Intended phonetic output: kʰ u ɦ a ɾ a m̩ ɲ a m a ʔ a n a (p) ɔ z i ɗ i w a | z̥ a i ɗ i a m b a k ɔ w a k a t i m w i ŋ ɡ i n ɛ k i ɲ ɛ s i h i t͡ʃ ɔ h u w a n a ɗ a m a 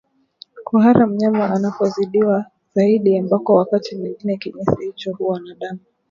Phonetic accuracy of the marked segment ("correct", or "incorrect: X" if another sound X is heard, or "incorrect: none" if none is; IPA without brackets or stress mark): correct